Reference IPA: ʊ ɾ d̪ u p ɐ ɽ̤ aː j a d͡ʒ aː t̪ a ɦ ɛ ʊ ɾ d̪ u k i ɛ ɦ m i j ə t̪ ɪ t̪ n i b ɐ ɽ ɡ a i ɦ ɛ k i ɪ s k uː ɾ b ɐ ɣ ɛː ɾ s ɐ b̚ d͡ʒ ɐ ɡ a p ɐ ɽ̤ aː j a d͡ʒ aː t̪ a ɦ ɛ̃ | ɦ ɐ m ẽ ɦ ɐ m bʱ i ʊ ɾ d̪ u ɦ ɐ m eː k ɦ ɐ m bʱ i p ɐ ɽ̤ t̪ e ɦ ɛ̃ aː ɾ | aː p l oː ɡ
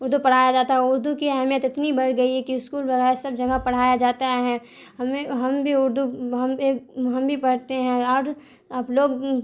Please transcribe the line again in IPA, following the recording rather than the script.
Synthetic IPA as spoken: ʊ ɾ d̪ u p ɐ ɽ̤ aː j a d͡ʒ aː t̪ a ɦ ɛ ʊ ɾ d̪ u k i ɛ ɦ m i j ə t̪ ɪ t̪ n i b ɐ ɽ ɡ ɐ i ɦ ɛ k i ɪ s k uː l b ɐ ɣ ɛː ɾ s ɐ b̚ d͡ʒ ɐ ɡ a p ɐ ɽ̤ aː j a d͡ʒ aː t̪ a ɦ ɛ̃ | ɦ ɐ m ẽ ɦ ɐ m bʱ i ʊ ɾ d̪ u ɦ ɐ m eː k ɦ ɐ m bʱ i p ɐ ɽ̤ t̪ e ɦ ɛ̃ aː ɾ | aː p l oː ɡ